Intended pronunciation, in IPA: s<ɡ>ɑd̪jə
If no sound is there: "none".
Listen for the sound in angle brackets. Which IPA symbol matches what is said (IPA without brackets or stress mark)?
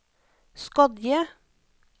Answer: k